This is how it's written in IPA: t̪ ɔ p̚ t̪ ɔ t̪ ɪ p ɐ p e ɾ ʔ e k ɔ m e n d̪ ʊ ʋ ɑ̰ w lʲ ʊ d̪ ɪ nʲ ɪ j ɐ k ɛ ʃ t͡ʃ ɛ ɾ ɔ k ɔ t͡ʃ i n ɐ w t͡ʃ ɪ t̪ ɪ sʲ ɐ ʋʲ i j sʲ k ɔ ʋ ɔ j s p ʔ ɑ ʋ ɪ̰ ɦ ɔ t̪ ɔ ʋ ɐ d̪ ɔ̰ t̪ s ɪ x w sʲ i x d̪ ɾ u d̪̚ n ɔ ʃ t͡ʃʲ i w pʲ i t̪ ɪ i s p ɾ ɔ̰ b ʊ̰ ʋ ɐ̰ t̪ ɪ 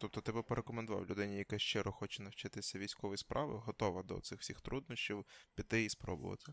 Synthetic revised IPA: t̪ ɔ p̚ t̪ ɔ t̪ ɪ p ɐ p e ɾ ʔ e k ɔ m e n d̪ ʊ ʋ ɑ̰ w lʲ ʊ d̪ ɪ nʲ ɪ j ɐ k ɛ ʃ t͡ʃ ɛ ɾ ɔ x ɔ t͡ʃ ɛ n ɐ w t͡ʃ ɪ t̪ ɪ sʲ ɐ ʋʲ i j sʲ k ɔ ʋ ɔ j s p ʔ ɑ ʋ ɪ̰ ɦ ɔ t̪ ɔ ʋ ɐ d̪ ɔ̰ t̪ s ɪ x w sʲ i x t̪ ɾ u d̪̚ n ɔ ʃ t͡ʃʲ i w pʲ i t̪ ɪ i s p ɾ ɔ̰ b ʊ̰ ʋ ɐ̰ t̪ ɪ